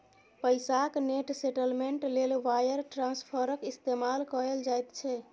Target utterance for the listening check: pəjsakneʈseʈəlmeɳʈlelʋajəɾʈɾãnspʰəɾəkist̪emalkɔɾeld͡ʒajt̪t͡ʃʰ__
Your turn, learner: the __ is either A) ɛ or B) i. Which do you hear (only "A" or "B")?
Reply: A